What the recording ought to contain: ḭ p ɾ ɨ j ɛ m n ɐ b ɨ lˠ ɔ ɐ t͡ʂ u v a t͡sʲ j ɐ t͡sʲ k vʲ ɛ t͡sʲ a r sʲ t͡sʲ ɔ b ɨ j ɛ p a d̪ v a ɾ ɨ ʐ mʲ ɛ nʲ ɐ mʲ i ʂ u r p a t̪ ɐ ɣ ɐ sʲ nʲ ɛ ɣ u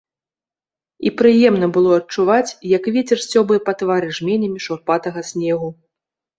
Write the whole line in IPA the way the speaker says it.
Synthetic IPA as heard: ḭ p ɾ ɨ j ɛ m n ɐ b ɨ lˠ ɔ ɐ t͡ʂ u v a t͡sʲ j ɐ k vʲ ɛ t͡sʲ ɛ r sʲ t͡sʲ ɔ b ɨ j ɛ p a t̪ v a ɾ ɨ ʐ mʲ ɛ nʲ ɐ mʲ i ʂ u r p a t̪ ɐ ɣ ɐ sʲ nʲ ɛ ɣ u